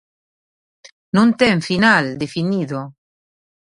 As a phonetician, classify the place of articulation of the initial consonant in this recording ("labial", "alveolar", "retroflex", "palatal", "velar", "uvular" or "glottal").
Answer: alveolar